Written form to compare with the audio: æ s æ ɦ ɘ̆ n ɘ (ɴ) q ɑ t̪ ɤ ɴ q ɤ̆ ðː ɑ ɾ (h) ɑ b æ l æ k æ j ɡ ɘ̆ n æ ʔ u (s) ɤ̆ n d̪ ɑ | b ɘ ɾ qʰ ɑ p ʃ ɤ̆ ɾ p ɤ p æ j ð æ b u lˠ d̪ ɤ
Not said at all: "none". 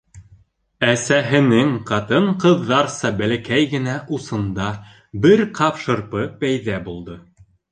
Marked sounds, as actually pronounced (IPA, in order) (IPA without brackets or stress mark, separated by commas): ŋ, s, s